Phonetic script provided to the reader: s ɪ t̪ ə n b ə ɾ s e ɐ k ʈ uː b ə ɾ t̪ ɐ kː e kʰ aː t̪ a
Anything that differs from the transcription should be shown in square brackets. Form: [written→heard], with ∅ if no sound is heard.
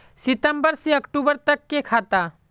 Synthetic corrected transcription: s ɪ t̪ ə [n→m] b ə ɾ s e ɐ k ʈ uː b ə ɾ t̪ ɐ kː e kʰ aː t̪ a